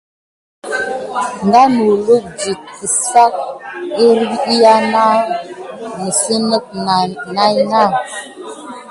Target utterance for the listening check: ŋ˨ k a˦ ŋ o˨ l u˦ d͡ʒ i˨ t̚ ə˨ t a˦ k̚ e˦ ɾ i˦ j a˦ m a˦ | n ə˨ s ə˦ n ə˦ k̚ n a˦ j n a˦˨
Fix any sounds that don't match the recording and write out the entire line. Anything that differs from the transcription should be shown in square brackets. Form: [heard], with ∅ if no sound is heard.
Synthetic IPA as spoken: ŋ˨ [ɡ] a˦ [n] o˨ l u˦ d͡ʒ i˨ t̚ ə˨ [s] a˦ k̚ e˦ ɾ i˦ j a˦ [n] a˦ | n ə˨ s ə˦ n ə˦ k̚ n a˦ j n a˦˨